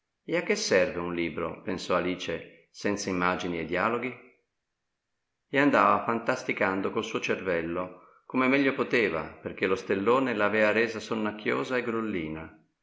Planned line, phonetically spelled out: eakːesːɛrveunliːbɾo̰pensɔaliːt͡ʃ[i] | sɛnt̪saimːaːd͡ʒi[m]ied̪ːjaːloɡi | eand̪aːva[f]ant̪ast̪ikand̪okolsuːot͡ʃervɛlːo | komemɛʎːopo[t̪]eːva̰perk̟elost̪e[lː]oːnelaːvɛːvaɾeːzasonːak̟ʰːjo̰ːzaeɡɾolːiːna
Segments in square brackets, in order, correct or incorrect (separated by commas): incorrect, incorrect, correct, correct, correct